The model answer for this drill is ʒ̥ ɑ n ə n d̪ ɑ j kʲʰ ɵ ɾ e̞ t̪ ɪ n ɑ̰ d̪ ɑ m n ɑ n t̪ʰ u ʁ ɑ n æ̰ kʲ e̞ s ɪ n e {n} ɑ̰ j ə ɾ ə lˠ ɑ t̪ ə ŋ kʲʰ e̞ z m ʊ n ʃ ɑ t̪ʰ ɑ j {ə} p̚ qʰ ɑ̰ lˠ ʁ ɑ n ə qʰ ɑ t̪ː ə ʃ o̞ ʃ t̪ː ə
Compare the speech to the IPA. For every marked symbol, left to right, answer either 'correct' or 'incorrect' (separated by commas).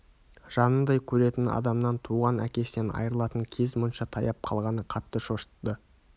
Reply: correct, incorrect